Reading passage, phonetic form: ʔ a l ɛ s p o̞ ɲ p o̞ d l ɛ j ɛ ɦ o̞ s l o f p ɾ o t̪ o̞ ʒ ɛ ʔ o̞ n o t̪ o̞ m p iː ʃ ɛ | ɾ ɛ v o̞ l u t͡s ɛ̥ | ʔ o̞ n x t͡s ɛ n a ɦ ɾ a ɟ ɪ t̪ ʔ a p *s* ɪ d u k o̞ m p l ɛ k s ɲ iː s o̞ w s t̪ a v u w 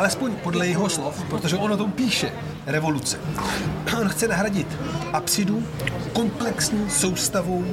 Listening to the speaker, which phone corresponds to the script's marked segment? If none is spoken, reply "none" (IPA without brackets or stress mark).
s